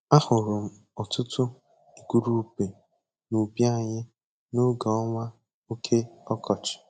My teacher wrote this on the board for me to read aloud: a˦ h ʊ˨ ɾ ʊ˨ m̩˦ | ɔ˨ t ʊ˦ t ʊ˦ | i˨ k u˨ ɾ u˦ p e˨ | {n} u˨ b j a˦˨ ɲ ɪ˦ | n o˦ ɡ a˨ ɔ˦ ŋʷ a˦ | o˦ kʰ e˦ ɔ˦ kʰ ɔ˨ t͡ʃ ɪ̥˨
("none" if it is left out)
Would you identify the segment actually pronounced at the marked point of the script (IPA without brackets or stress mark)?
n